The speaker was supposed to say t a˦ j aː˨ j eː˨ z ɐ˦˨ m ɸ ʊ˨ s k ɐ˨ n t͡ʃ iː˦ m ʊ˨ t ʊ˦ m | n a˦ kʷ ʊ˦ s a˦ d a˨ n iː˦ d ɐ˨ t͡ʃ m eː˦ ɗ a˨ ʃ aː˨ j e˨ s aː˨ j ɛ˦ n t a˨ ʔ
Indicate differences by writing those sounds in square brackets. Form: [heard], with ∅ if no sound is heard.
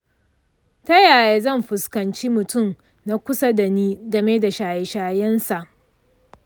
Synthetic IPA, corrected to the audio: t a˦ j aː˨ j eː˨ z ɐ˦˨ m ɸ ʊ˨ s k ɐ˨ n t͡ʃ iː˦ m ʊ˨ t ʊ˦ m | n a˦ kʷ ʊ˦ s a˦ d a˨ n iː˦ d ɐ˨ [∅] m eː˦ [d] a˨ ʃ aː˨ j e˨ [ʃ] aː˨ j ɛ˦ n [s] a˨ ʔ